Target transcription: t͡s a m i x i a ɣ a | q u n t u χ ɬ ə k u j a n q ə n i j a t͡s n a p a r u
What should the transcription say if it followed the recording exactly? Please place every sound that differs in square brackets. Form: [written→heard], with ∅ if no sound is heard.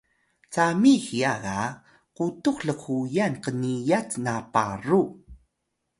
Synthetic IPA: t͡s a m i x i a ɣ a | q u [n→∅] t u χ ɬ ə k u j a n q ə n i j a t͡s n a p a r u